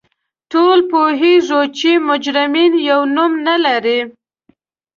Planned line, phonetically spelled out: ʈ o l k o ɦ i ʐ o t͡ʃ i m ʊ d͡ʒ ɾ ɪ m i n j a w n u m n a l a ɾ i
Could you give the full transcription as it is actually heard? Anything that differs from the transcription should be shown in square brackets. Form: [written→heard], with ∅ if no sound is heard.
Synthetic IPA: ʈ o l [k→p] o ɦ i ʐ o t͡ʃ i m ʊ d͡ʒ ɾ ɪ m i n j a w n u m n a l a ɾ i